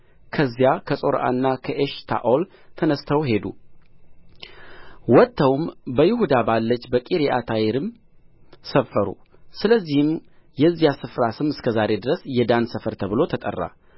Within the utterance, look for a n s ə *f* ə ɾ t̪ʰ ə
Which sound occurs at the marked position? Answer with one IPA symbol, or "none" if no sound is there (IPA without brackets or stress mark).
f